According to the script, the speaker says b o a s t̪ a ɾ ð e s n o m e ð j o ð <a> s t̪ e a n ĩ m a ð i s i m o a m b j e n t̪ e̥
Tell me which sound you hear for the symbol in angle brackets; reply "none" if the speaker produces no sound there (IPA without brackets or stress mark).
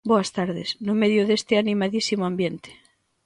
e